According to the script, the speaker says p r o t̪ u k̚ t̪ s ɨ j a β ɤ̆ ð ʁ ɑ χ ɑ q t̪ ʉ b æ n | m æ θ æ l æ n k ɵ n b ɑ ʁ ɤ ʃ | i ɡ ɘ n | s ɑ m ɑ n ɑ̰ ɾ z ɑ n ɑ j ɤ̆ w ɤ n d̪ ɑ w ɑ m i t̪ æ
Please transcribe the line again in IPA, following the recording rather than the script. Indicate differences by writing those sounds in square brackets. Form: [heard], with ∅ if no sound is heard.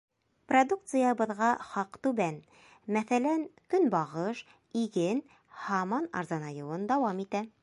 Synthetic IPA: p r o [d̪] u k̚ t̪ s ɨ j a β ɤ̆ ð ʁ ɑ χ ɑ q t̪ ʉ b æ n | m æ θ æ l æ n k ɵ n b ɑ ʁ ɤ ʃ | i ɡ ɘ n | [h] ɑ m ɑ n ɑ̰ ɾ z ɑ n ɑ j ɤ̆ w ɤ n d̪ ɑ w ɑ m i t̪ æ